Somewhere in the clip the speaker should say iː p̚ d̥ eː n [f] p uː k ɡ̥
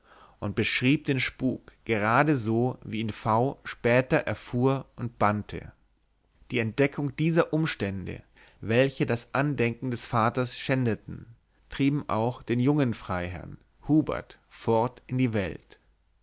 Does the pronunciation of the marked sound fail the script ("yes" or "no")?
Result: yes